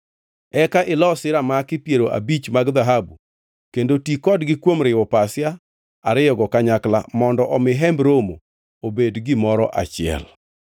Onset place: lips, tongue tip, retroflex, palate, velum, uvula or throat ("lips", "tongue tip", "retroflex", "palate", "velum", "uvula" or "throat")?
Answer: velum